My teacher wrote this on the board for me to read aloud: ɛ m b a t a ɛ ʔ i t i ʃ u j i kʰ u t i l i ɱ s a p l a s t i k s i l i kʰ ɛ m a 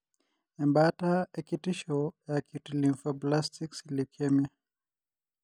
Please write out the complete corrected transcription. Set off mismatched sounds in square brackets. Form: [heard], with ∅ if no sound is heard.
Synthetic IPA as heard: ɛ m b a t a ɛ [k] i t i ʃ [ɔ] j [a] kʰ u t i l i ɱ [f] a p l a s t i k s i l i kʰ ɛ m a